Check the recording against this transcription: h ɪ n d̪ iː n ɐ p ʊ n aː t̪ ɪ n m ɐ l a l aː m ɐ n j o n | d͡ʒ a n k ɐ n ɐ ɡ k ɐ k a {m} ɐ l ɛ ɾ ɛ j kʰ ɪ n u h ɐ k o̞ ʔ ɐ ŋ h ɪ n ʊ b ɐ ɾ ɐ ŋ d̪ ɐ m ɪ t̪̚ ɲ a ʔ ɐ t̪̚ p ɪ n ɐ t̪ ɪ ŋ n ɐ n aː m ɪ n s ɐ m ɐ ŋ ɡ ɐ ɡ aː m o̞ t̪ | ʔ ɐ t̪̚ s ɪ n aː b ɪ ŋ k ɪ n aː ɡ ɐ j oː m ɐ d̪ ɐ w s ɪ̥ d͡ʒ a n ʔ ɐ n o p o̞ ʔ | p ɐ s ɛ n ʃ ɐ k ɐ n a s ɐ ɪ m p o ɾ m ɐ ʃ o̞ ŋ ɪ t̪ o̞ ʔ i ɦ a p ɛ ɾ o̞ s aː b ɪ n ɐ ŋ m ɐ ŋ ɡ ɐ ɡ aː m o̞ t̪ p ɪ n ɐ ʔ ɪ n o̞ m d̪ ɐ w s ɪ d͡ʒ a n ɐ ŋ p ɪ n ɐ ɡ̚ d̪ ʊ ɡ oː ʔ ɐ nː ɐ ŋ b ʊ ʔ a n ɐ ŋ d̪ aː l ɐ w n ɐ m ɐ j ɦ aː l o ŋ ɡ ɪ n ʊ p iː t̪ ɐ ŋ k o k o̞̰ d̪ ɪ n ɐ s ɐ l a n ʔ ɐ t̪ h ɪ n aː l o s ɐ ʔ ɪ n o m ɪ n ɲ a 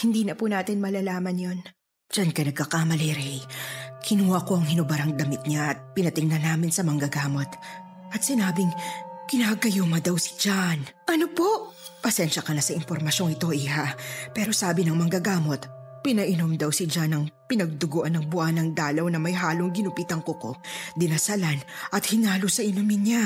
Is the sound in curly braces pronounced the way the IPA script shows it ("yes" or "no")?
yes